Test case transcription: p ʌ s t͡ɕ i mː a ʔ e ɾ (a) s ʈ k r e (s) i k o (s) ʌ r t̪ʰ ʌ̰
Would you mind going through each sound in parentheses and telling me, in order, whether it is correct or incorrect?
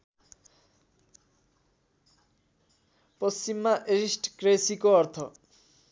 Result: incorrect, correct, incorrect

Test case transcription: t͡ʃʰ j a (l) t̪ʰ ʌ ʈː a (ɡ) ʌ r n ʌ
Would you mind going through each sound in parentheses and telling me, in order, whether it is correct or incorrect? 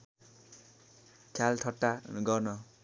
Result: correct, correct

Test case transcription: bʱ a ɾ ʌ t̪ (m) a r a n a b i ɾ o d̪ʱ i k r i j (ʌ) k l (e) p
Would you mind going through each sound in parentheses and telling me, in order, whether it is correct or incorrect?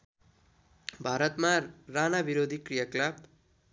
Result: correct, incorrect, incorrect

